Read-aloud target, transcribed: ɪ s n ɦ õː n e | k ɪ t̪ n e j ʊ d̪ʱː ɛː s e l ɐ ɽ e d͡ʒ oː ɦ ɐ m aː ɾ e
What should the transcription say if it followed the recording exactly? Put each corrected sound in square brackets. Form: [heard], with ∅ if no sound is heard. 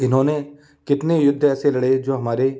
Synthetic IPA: ɪ [∅] n ɦ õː n e | k ɪ t̪ n e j ʊ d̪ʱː ɛː s e l ɐ ɽ e d͡ʒ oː ɦ ɐ m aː ɾ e